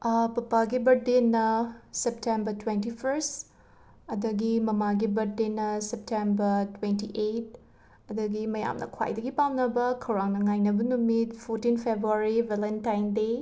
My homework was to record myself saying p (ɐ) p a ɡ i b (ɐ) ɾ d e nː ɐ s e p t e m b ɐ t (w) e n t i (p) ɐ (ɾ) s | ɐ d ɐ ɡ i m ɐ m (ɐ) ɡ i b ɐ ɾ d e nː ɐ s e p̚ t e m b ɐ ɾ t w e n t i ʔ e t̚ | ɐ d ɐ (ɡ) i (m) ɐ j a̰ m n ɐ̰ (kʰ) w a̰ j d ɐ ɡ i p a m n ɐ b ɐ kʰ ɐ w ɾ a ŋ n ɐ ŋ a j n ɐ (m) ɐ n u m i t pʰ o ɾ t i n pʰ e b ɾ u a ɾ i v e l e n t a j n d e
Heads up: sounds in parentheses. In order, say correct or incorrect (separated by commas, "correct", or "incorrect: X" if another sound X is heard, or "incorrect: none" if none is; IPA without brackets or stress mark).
correct, correct, correct, incorrect: pʰ, correct, incorrect: a, correct, correct, correct, incorrect: b